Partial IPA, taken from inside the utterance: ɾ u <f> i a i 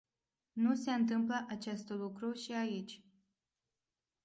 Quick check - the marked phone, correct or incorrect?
incorrect: ʃ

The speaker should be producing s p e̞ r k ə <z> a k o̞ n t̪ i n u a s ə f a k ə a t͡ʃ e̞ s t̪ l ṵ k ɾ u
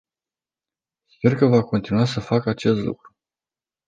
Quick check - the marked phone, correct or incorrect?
incorrect: v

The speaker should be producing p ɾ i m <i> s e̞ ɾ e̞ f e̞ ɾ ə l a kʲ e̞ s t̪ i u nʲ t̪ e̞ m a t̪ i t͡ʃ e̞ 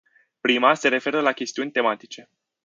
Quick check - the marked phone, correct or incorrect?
incorrect: a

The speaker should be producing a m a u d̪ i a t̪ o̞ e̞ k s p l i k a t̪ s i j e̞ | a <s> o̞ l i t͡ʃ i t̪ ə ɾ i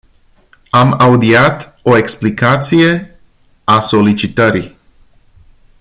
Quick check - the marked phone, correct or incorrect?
correct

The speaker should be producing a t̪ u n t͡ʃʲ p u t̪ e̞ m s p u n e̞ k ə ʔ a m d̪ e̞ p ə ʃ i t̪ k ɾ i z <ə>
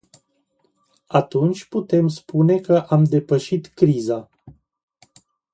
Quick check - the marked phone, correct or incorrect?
incorrect: a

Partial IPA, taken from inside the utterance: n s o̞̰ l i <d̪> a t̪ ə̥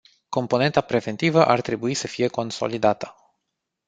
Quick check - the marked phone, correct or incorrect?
correct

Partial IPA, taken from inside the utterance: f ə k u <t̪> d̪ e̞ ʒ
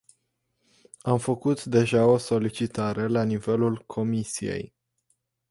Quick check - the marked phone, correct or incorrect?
correct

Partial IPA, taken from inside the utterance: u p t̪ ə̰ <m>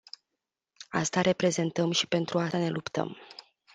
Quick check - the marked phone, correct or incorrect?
correct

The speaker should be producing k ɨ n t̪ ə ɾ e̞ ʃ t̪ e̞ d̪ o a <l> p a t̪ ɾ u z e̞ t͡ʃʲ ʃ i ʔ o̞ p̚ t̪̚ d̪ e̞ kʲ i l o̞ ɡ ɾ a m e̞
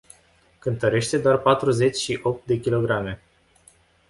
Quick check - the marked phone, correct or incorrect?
incorrect: r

